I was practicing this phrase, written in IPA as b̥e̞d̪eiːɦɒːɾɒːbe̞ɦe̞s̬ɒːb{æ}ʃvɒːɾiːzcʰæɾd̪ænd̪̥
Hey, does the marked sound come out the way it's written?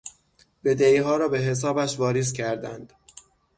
yes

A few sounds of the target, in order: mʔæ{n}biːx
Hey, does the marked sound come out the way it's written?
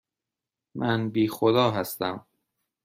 yes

